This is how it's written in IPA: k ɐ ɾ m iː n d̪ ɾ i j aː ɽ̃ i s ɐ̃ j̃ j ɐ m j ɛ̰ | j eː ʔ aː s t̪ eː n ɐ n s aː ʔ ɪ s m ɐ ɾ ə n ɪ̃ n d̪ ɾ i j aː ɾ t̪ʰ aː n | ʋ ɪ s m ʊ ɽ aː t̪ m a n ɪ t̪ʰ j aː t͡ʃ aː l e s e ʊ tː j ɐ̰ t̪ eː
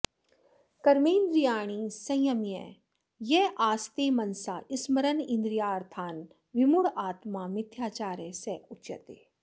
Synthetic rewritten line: k ɐ ɾ m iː n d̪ ɾ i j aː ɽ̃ i s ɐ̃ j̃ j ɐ m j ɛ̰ | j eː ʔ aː s t̪ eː m ɐ n s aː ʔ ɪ s m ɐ ɾ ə n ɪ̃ n d̪ ɾ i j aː ɾ t̪ʰ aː n | ʋ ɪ m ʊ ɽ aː t̪ m a m ɪ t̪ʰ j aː t͡ʃ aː ɾ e s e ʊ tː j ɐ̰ t̪ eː